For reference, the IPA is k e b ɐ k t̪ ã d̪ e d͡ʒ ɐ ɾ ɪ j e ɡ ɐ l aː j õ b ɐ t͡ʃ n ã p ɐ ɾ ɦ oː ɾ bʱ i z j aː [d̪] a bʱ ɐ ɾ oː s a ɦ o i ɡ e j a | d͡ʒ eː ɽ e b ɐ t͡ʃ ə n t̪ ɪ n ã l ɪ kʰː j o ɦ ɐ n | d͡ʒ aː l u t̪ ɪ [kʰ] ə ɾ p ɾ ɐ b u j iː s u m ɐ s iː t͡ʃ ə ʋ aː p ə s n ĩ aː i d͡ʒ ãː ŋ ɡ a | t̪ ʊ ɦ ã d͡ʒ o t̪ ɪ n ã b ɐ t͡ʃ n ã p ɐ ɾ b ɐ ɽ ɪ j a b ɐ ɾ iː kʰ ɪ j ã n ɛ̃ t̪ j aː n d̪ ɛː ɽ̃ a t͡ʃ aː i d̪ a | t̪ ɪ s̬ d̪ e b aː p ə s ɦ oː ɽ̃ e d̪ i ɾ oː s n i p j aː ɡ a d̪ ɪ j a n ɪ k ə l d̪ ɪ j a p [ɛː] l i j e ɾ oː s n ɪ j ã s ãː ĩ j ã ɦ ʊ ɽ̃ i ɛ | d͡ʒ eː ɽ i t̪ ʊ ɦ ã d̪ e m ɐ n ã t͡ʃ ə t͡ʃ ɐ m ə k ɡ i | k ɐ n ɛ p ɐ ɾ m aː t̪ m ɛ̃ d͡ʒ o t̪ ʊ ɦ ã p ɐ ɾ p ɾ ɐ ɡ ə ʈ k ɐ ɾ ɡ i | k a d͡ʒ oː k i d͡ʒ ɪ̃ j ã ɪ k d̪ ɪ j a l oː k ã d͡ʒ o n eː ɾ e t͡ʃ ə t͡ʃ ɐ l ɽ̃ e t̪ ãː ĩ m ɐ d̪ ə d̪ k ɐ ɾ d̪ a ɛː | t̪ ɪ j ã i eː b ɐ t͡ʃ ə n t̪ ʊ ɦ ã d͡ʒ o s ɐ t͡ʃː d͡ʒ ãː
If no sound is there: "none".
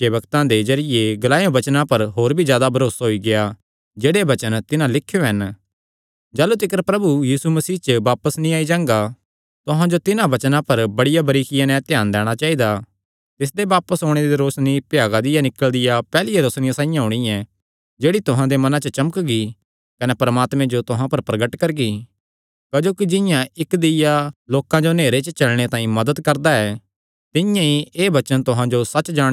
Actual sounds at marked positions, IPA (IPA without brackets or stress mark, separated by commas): d̪, k, ɛː